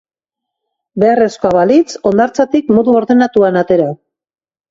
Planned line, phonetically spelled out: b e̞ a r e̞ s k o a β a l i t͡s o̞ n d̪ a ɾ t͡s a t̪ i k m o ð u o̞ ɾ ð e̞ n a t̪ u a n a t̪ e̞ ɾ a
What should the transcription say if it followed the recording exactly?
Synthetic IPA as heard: b e̞ a r e̞ s k o a β a l i t͡s o̞ n d̪ a ɾ t͡s a t̪ i k m o ð u o̞ ɾ ð e̞ n a t̪ u a n a t̪ e̞ ɾ a